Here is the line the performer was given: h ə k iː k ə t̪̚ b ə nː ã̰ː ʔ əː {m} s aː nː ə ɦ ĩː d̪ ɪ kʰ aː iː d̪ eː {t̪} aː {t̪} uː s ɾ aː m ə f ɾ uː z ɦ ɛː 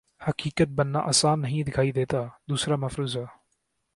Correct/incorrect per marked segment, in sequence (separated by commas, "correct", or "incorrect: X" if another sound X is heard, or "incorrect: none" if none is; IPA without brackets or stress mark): incorrect: none, correct, incorrect: d̪